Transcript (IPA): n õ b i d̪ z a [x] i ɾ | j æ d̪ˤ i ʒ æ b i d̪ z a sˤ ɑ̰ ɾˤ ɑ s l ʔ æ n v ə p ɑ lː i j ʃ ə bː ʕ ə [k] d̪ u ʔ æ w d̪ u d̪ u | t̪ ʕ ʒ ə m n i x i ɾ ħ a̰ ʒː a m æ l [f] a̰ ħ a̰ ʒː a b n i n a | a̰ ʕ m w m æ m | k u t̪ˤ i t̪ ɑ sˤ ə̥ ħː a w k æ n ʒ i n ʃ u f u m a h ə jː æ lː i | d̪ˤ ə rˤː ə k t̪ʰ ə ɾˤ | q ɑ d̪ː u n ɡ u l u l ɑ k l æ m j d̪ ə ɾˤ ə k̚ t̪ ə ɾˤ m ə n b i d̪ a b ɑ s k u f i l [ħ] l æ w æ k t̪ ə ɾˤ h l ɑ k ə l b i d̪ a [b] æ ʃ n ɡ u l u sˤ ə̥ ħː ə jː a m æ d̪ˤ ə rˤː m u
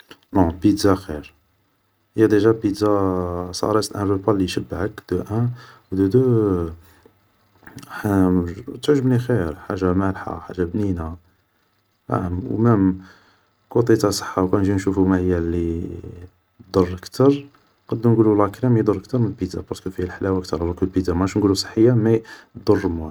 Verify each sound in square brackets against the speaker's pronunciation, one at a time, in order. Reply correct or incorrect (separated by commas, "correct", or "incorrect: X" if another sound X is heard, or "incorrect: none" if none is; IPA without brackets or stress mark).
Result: correct, correct, incorrect: ħ, correct, incorrect: m